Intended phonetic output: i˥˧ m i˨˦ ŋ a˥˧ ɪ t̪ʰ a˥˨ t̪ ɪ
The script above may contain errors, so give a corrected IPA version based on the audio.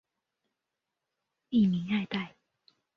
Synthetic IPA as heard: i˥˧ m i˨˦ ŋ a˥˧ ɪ t̪ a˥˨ ɪ